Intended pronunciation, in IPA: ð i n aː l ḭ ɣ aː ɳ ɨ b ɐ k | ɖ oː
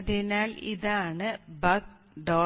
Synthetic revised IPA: ð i n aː l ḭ ð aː ɳ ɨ b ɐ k | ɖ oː